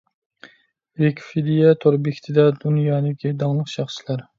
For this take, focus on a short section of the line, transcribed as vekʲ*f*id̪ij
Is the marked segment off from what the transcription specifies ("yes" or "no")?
no